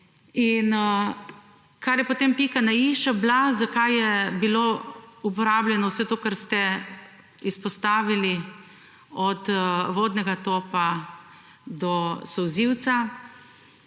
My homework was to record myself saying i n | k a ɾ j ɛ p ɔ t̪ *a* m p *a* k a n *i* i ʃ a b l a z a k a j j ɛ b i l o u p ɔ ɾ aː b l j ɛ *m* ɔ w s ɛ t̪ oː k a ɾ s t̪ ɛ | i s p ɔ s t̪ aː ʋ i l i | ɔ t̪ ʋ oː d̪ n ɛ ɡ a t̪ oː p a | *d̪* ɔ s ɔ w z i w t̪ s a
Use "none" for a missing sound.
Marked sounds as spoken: e, i, a, n, d̪

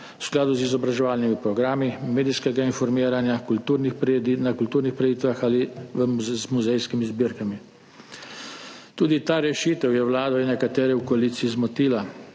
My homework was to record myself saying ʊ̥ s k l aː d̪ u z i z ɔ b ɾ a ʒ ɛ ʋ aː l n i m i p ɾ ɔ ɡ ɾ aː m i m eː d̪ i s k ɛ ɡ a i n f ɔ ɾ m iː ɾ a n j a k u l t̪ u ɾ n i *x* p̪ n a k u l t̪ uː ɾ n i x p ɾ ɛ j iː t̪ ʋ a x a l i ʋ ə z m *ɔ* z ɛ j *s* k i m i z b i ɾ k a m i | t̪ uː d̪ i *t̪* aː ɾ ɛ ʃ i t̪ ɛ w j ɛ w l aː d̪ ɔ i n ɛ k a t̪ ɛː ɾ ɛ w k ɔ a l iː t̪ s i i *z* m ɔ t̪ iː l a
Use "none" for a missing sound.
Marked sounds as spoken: x, u, s, t̪, z

